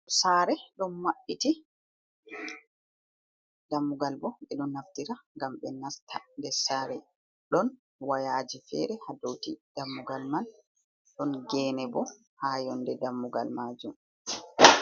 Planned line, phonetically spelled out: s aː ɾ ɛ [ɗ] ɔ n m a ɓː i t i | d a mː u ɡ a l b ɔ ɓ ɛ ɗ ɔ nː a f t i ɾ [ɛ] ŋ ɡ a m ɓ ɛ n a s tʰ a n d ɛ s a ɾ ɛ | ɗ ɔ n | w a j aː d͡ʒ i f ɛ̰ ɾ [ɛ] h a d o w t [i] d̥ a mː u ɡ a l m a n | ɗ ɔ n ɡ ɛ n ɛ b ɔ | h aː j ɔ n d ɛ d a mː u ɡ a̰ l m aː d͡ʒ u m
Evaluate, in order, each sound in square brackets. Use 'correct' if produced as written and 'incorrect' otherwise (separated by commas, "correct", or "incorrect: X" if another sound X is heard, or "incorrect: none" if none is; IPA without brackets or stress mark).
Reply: correct, incorrect: a, correct, correct